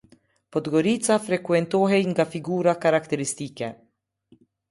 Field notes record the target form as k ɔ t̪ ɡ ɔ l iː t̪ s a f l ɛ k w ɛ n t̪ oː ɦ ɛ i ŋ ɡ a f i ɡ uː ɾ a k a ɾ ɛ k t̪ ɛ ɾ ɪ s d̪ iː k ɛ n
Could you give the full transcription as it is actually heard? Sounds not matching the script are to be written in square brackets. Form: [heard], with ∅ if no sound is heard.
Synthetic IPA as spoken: [p] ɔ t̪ ɡ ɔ [ɾ] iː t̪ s a f [ɾ] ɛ k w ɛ n t̪ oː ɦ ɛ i ŋ ɡ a f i ɡ uː ɾ a k a ɾ [a] k t̪ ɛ ɾ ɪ s [t̪] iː k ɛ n